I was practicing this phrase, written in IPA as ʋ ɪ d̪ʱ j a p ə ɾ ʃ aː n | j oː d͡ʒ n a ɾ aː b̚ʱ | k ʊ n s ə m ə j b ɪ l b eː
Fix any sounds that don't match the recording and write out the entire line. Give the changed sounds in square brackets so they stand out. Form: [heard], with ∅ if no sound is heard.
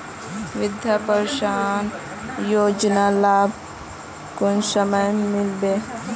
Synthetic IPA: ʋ ɪ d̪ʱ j a p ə ɾ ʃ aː n | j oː d͡ʒ n a [l] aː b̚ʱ | k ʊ n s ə m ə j [m] ɪ l b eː

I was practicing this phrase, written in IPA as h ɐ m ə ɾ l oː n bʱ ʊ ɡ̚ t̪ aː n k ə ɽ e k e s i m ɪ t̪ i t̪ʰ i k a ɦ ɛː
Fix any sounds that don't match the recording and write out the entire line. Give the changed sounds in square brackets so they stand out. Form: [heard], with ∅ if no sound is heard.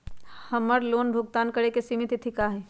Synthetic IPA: h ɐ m ə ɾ l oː n bʱ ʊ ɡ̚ t̪ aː n k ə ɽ e k e s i m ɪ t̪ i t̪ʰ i k a ɦ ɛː

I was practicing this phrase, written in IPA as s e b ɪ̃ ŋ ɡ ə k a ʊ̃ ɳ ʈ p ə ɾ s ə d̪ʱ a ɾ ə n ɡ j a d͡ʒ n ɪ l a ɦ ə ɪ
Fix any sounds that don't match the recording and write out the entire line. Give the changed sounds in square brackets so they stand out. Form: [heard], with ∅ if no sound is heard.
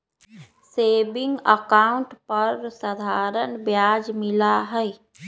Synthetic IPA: s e b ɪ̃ ŋ ɡ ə k a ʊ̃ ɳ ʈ p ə ɾ s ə d̪ʱ a ɾ ə n [b] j a d͡ʒ [m] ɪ l a ɦ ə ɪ

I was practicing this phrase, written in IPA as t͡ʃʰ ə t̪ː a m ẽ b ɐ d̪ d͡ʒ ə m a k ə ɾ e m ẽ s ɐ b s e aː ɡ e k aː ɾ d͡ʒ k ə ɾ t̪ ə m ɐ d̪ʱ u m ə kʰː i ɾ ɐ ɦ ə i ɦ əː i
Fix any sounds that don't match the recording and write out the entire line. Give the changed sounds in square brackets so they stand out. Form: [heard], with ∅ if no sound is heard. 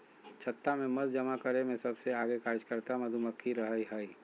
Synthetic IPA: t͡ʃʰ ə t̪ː a m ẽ [m] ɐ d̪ d͡ʒ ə m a k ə ɾ e m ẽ s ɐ b s e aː ɡ e k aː ɾ d͡ʒ k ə ɾ t̪ [a] m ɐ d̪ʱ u m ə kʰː i ɾ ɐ ɦ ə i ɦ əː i

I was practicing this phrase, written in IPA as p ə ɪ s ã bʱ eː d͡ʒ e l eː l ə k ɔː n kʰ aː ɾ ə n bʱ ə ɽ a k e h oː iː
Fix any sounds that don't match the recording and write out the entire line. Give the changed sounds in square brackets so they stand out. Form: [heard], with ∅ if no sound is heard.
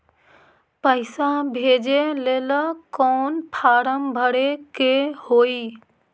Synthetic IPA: p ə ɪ s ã bʱ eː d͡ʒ e l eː l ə k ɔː n [pʰ] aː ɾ ə [m] bʱ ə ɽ [e] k e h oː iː

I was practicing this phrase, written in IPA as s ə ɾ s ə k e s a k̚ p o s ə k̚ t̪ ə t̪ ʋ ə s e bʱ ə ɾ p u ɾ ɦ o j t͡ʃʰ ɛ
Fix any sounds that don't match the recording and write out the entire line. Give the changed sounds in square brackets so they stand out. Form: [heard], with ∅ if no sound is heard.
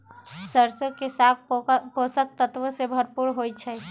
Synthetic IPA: s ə ɾ s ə k e s a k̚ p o s ə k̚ t̪ ə t̪ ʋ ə s e bʱ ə ɾ p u ɾ ɦ o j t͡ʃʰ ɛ

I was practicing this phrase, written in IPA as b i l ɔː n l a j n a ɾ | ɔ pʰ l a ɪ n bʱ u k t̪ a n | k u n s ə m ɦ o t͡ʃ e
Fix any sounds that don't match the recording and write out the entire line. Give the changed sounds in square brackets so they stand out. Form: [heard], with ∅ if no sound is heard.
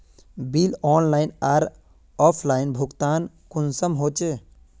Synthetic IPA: b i l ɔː n l a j n a ɾ | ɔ pʰ l a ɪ n bʱ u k t̪ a n | k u n s ə m ɦ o t͡ʃ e

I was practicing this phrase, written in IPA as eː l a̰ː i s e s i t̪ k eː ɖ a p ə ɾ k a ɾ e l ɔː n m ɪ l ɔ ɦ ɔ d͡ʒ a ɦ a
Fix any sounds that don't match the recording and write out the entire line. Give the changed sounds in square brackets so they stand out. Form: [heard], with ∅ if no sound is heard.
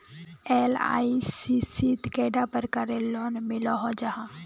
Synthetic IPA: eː l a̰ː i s [i] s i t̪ k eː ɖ a p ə ɾ k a ɾ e l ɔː n m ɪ l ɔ ɦ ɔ d͡ʒ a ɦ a

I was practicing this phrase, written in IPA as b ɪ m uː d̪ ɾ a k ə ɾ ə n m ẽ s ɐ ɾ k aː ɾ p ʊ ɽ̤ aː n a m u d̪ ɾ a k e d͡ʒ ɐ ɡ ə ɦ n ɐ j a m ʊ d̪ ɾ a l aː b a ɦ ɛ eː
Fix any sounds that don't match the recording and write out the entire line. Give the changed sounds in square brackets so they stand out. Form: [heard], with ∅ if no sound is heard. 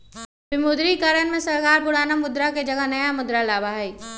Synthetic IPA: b ɪ m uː d̪ ɾ [i] k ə ɾ ə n m ẽ s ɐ ɾ k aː ɾ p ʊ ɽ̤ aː n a m [ʊ] d̪ ɾ a k e d͡ʒ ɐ ɡ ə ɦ n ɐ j a m ʊ d̪ ɾ a l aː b a ɦ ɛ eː

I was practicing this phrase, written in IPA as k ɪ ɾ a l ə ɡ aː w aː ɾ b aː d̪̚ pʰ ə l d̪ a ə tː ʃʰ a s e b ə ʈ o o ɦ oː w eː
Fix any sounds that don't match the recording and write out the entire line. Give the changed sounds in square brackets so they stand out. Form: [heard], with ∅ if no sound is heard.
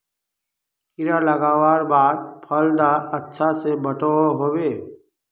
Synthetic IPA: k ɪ ɾ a l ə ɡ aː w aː ɾ b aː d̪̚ pʰ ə l d̪ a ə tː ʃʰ a s e b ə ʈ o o ɦ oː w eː

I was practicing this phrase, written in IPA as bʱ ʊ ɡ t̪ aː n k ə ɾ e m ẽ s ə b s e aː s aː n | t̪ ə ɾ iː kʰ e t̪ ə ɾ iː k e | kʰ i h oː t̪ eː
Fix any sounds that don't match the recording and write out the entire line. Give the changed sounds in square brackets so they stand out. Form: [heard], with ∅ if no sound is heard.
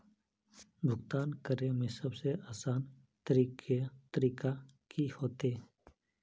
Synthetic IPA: bʱ ʊ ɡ t̪ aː n k ə ɾ e m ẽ s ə b s e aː s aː n | t̪ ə ɾ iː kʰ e t̪ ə ɾ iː k [a] | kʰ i h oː t̪ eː

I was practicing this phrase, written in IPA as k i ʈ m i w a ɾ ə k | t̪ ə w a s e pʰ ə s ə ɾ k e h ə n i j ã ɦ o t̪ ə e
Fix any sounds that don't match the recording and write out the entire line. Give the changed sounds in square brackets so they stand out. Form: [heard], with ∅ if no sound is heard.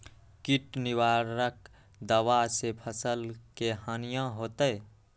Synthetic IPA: k i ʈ [n] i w a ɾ ə k | [d̪] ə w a s e pʰ ə s ə [l] k e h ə n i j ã ɦ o t̪ ə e

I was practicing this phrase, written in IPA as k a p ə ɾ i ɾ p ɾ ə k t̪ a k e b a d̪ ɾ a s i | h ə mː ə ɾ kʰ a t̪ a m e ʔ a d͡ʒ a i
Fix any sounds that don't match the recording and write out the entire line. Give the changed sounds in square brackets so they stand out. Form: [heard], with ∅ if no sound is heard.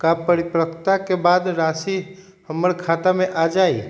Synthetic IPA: k a p ə ɾ i [∅] p ɾ ə k t̪ a k e b a d̪ ɾ a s i | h ə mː ə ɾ kʰ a t̪ a m e ʔ a d͡ʒ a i

